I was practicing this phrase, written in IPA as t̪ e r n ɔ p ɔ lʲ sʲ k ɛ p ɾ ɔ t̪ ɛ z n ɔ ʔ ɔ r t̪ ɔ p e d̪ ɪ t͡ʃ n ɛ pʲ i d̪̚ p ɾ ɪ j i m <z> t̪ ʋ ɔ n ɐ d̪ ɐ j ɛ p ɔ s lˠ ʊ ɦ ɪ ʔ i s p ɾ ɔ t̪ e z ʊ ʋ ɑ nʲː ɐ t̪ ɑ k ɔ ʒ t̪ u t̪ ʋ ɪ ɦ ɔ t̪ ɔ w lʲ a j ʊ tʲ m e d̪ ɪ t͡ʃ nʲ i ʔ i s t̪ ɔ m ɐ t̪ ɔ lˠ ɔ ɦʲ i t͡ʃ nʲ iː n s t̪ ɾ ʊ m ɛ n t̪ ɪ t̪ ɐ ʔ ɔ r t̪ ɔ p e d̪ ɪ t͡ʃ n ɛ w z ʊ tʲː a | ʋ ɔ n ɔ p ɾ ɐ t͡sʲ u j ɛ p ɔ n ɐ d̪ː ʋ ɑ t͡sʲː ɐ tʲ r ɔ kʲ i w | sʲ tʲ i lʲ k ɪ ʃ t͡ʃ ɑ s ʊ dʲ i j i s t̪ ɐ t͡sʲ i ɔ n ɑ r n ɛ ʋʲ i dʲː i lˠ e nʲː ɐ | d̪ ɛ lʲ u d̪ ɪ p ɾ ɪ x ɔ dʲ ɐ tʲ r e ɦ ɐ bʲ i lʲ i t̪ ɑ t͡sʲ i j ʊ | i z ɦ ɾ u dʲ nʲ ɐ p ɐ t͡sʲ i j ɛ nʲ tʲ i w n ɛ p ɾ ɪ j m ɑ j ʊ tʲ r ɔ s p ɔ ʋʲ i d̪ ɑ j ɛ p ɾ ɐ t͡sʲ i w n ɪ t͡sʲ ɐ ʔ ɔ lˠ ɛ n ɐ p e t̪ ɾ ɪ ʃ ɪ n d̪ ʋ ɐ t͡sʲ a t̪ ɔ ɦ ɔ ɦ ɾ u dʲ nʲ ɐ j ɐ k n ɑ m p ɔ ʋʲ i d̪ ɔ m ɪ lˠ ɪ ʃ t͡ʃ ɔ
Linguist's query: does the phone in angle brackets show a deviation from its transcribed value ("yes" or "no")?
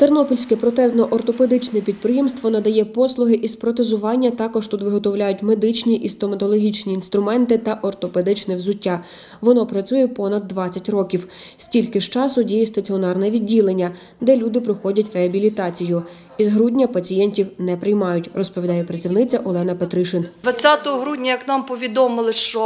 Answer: yes